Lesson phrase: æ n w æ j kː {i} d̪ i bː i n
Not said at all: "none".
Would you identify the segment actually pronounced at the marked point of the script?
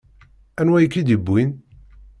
i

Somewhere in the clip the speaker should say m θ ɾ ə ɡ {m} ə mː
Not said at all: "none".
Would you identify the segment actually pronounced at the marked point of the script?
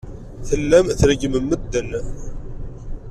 m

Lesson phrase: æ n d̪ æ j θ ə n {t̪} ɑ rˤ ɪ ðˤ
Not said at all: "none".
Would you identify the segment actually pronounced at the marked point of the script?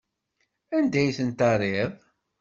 t̪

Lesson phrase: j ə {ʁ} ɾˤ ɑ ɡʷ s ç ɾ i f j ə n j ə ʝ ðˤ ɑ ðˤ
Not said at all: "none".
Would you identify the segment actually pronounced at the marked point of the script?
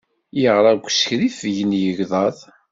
ʁ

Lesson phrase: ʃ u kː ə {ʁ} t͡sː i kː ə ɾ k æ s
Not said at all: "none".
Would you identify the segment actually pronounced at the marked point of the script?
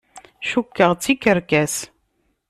ʁ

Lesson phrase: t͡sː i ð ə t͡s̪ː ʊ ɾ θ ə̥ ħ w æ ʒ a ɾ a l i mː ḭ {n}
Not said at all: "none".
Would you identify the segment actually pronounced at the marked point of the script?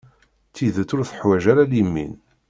n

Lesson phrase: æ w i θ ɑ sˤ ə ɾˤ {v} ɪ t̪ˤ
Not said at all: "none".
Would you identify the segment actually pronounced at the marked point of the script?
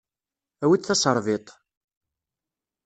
v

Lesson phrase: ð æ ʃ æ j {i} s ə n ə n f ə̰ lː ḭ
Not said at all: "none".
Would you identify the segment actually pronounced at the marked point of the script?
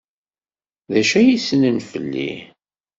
i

